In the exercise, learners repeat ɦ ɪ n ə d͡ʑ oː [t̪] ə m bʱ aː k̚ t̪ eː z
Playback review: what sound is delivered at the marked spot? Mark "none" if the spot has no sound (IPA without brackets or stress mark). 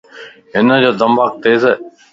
d̪